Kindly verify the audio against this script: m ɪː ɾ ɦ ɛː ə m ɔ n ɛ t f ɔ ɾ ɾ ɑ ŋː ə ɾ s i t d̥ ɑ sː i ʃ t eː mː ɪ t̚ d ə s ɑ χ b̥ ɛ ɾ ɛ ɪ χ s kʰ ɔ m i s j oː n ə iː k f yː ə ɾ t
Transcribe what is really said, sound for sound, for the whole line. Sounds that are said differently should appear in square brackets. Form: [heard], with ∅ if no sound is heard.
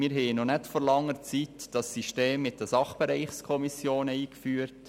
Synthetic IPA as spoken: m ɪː ɾ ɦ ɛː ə [n] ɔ n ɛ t f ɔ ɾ [l] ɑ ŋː ə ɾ [t͡s] i t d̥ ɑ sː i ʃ t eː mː ɪ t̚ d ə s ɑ χ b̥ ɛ ɾ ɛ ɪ χ s kʰ ɔ m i s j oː n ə iː k f yː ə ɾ t